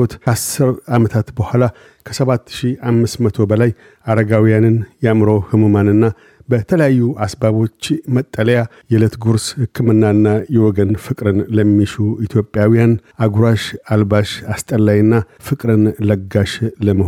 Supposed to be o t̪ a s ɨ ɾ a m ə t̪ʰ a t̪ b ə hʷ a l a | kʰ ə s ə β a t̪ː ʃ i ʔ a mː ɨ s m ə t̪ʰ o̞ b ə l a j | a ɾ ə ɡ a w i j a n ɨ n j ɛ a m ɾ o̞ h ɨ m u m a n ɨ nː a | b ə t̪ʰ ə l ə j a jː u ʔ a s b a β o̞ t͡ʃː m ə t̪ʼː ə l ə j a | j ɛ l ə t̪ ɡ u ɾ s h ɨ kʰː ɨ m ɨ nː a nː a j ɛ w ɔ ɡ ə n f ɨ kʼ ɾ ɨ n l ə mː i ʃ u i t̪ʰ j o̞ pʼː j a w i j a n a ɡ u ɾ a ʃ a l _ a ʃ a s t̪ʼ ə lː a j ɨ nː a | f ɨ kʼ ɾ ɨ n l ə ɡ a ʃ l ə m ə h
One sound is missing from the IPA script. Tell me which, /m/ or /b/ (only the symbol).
b